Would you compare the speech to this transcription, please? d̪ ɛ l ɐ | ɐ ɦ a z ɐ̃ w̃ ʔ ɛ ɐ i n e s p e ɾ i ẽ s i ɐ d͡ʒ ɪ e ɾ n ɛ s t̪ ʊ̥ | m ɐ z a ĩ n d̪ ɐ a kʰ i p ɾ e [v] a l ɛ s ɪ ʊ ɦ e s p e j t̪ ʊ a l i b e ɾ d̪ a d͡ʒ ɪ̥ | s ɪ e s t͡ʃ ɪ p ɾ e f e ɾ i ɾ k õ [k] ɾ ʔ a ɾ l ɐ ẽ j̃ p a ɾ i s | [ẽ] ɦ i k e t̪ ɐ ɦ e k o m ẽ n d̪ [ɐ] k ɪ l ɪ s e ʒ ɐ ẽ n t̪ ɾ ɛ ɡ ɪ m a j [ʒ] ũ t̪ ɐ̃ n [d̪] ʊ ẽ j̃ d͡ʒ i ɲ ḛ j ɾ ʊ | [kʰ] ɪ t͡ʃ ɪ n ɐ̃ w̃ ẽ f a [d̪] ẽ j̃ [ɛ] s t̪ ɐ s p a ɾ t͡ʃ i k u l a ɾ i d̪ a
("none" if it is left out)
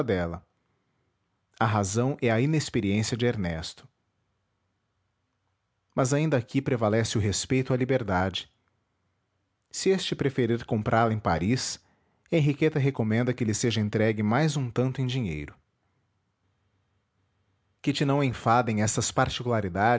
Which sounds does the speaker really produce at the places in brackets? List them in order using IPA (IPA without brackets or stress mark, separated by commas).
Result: v, p, ẽ, ɐ, z, t̪, k, d̪, ɛ